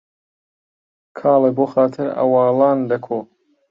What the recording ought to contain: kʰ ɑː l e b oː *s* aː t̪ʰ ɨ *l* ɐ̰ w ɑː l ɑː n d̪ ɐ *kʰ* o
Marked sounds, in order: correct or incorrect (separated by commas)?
incorrect, incorrect, correct